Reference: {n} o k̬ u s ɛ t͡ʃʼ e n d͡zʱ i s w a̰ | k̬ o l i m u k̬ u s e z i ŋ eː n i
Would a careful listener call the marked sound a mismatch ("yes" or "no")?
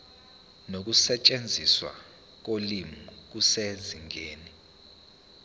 no